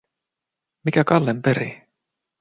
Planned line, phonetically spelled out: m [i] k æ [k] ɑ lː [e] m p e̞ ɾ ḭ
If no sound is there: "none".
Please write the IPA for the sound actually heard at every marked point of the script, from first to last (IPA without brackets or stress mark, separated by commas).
i, k, e